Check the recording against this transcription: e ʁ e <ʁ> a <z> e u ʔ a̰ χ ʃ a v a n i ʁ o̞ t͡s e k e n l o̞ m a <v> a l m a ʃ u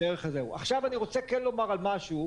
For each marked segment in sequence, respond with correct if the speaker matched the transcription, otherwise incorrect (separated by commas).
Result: incorrect, correct, incorrect